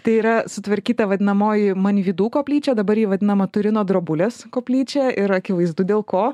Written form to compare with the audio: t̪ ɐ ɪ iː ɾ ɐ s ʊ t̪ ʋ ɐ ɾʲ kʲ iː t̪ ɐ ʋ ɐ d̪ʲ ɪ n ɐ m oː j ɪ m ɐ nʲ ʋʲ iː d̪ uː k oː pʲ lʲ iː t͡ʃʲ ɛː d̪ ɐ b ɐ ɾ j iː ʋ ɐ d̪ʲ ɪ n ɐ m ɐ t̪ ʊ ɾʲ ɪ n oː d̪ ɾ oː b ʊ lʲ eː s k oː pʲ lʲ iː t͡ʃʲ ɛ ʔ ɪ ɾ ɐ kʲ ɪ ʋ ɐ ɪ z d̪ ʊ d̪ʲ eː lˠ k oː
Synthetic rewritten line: t̪ ɐ ɪ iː ɾ ɐ s ʊ t̪ ʋ ɐ ɾʲ kʲ iː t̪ ɐ ʋ ɐ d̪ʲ ɪ n ɐ m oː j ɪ m ɐ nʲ ʋʲ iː d̪ uː k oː pʲ lʲ iː t͡ʃʲ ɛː d̪ ɐ b ɐ ɾ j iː ʋ ɐ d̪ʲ ɪ n ɐ m ɐ t̪ ʊ ɾʲ ɪ n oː d̪ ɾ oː b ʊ lʲ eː s k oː pʲ lʲ iː t͡ʃʲ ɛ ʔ ɪ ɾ ɐ kʲ ɪ ʋ ɐ ɪ z d̪ ʊ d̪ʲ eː lˠ k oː